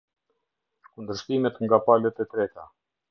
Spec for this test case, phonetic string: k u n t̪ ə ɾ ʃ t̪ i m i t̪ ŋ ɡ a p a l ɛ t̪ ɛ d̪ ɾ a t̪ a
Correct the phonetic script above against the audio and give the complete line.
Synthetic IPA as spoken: k u n d̪ ə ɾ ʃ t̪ i m ɛ t̪ ŋ ɡ a p a l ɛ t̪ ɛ t̪ ɾ ɛ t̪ a